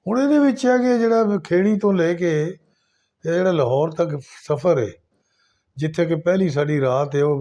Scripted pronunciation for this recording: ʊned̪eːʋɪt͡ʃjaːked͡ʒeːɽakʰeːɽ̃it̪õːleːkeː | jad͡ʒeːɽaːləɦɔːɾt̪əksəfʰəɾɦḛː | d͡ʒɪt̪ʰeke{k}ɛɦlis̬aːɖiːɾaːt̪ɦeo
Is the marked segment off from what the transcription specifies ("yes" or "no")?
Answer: yes